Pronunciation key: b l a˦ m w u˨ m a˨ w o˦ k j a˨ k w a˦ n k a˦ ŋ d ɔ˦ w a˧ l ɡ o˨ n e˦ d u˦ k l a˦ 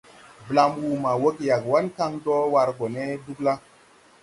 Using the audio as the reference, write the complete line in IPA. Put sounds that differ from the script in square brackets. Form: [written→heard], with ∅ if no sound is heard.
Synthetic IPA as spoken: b l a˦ m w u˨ m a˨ w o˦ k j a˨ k w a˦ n k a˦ ŋ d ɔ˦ w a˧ [l→ɾ] ɡ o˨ n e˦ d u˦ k l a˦